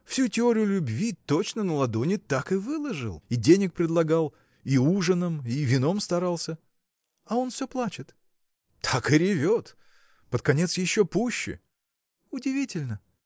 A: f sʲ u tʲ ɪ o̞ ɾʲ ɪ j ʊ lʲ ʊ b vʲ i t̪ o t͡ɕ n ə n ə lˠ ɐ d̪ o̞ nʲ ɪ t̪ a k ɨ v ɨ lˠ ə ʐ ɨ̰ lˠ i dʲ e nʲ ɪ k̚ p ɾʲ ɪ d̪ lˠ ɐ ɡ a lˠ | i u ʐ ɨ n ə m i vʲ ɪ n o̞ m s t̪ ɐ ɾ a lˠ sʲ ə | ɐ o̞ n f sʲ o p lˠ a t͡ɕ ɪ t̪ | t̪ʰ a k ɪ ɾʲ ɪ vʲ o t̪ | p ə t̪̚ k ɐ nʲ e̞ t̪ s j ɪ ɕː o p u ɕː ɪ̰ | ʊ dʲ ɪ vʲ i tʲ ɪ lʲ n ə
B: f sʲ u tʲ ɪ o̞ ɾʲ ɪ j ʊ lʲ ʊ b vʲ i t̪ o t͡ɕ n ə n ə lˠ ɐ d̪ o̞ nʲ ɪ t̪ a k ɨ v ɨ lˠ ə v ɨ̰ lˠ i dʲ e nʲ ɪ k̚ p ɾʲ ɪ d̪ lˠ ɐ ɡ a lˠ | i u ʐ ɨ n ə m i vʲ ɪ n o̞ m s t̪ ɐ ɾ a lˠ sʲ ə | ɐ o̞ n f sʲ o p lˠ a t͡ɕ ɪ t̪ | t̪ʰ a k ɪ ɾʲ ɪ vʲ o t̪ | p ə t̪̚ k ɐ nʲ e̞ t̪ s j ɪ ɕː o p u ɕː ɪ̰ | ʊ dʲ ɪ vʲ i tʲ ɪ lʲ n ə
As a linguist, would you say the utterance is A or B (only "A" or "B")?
A